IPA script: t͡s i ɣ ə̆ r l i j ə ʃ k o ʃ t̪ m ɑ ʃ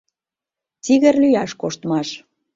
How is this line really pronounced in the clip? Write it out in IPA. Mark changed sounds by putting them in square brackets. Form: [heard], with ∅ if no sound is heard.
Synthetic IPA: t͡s i ɣ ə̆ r l [y] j [ɑ] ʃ k o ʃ t̪ m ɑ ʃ